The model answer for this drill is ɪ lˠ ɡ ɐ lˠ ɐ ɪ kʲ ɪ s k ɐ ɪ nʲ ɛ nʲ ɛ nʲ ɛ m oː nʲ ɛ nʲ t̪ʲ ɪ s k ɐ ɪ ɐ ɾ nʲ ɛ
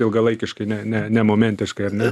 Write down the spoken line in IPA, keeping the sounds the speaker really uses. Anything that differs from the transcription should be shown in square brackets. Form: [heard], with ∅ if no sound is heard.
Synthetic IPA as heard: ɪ lˠ ɡ ɐ lˠ ɐ ɪ kʲ ɪ [ʃ] k ɐ ɪ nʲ ɛ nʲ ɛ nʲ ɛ m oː [mʲ] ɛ nʲ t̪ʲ ɪ [ʃ] k ɐ ɪ ɐ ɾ nʲ ɛ